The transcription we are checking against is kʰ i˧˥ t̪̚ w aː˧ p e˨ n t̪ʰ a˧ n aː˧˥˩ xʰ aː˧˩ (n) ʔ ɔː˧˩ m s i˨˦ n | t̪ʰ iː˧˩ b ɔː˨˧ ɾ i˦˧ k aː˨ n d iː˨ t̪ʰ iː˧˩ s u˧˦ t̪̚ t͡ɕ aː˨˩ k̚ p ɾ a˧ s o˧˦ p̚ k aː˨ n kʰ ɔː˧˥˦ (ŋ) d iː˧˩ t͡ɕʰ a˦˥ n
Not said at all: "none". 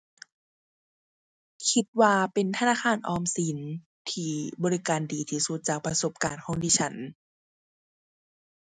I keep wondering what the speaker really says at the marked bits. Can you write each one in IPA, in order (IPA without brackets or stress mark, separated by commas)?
n, ŋ